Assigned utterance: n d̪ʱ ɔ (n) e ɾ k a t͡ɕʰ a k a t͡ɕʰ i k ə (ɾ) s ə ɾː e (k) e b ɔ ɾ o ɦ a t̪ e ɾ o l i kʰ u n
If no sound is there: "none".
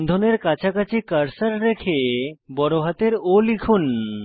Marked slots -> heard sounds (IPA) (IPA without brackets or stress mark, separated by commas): n, ɾ, kʰ